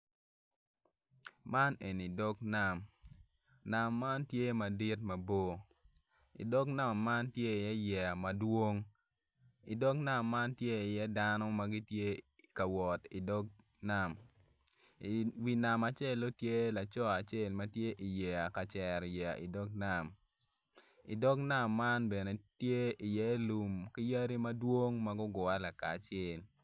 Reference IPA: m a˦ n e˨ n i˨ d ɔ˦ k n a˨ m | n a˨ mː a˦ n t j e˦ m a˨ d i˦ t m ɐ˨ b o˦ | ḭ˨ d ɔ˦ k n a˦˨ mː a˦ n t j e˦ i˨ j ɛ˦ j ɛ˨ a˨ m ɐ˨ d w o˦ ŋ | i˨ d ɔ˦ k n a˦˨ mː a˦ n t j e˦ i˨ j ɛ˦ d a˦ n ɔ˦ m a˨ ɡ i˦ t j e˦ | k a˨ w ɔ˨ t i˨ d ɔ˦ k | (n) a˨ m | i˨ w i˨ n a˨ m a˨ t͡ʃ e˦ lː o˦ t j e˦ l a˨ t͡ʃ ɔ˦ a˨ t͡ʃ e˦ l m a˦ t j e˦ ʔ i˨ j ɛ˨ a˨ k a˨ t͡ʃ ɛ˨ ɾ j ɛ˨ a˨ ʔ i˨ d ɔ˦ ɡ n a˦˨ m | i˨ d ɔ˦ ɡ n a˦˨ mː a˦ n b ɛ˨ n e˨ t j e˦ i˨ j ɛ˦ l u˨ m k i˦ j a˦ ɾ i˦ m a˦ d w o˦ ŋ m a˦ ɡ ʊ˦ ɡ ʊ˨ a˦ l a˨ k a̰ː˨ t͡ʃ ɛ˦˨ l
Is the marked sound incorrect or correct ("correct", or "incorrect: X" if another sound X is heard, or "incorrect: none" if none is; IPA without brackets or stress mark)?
correct